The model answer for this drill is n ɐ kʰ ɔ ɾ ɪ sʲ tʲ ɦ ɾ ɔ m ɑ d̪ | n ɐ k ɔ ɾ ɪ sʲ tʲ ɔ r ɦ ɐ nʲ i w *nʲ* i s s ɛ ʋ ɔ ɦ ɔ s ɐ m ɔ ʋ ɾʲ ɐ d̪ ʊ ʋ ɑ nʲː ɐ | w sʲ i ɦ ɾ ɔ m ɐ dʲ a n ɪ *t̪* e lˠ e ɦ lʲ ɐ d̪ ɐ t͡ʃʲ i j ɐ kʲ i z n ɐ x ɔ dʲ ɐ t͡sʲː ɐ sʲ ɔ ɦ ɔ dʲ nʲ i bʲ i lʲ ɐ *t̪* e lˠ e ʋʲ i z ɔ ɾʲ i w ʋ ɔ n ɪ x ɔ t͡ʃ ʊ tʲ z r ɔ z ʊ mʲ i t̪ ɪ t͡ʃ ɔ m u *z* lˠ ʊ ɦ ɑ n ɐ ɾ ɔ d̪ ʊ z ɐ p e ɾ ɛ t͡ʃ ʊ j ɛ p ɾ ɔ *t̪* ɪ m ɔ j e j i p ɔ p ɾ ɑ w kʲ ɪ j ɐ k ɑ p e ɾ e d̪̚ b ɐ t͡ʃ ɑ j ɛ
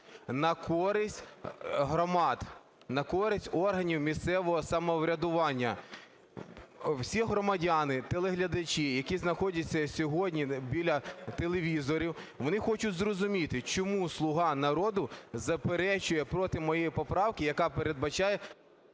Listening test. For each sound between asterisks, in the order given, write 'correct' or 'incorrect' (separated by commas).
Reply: incorrect, correct, correct, incorrect, correct